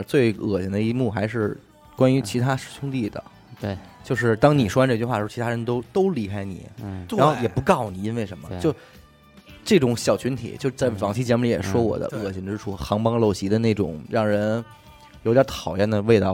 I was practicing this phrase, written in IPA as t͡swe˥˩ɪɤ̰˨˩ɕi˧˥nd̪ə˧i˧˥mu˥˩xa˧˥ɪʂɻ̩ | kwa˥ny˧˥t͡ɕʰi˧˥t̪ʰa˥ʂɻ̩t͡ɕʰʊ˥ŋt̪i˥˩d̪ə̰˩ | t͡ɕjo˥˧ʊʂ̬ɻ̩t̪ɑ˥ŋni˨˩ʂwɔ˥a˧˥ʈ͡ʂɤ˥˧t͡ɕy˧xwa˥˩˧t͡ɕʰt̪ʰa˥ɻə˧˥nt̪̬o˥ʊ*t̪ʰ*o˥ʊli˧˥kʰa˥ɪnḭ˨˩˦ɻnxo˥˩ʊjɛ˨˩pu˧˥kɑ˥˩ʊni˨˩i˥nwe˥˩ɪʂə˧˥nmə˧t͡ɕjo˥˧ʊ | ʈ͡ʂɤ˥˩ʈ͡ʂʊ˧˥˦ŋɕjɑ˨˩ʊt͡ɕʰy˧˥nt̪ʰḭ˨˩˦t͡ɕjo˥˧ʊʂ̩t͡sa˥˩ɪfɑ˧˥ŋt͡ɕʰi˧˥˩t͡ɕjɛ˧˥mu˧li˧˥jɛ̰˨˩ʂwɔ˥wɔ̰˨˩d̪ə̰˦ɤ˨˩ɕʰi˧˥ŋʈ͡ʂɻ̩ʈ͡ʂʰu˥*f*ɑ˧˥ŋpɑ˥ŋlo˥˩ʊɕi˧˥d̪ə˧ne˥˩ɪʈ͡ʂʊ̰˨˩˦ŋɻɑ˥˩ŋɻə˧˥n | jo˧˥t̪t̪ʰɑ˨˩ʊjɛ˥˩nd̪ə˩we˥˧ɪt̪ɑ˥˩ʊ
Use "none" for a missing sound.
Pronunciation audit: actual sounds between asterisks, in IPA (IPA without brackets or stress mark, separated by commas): t̪, x